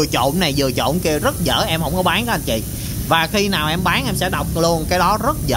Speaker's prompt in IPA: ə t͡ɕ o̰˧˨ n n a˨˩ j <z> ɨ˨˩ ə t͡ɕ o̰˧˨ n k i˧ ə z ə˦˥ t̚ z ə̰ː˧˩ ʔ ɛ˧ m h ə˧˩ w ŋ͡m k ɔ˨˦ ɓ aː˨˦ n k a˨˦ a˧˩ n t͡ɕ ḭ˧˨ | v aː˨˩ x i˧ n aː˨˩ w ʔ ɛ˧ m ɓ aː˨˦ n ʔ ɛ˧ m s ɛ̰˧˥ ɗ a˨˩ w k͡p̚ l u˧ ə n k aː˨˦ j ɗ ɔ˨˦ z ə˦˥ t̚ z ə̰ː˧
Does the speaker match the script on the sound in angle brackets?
yes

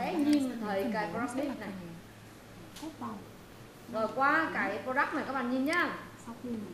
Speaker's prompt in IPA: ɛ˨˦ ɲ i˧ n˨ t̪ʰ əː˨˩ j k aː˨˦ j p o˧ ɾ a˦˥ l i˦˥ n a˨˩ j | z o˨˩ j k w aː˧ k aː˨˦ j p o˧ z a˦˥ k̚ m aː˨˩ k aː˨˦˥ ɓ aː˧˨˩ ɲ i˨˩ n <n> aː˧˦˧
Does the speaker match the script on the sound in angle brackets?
no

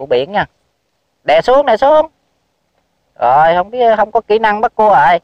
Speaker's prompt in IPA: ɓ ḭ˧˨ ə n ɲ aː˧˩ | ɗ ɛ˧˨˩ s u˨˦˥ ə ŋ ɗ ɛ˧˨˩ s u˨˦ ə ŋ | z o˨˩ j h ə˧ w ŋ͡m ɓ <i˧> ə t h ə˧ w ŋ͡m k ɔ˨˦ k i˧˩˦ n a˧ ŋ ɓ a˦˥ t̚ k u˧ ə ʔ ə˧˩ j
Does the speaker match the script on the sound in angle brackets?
no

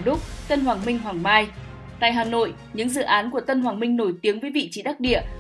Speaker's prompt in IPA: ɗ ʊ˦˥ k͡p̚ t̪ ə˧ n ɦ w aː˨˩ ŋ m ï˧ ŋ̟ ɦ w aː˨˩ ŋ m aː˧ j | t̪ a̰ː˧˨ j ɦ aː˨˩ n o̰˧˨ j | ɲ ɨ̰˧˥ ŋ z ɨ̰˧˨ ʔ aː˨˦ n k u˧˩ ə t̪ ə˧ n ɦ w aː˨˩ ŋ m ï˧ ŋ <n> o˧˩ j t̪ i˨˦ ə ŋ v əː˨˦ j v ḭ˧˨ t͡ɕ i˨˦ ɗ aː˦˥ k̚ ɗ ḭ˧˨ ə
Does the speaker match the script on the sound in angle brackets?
yes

